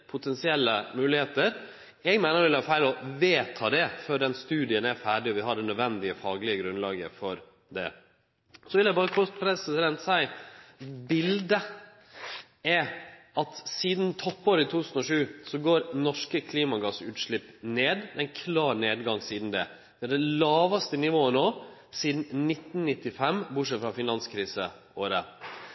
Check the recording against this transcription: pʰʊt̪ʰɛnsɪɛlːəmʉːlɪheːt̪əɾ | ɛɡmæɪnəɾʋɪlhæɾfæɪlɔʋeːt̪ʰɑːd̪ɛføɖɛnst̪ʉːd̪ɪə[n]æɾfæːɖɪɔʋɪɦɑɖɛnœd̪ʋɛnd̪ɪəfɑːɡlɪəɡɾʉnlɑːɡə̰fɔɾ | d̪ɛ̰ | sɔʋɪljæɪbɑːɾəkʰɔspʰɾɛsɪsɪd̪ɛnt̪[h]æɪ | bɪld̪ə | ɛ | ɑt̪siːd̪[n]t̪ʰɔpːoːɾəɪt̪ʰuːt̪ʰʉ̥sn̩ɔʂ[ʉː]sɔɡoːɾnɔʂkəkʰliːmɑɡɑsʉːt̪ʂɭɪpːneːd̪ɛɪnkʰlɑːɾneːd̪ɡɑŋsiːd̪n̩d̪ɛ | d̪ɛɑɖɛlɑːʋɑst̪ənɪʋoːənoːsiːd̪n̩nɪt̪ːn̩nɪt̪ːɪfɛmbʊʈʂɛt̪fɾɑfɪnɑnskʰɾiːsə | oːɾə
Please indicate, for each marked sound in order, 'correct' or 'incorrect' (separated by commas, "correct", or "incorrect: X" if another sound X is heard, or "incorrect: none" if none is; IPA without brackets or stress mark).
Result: correct, incorrect: s, correct, correct